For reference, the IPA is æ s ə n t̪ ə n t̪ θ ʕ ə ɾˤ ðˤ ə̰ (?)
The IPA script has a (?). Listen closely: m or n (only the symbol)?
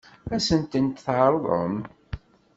m